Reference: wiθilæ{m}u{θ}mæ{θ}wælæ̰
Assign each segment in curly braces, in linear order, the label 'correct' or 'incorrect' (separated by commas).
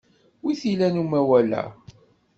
incorrect, incorrect, incorrect